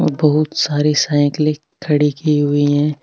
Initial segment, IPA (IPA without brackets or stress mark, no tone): b